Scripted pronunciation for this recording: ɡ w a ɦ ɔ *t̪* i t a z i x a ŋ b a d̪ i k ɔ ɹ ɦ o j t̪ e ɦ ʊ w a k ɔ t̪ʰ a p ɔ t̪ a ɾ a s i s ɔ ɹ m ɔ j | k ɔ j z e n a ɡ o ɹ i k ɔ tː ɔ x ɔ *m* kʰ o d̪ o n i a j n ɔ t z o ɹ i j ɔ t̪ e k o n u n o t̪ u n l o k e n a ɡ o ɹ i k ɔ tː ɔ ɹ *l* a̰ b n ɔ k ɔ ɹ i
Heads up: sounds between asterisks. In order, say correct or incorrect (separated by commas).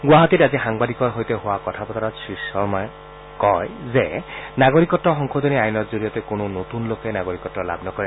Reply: correct, incorrect, correct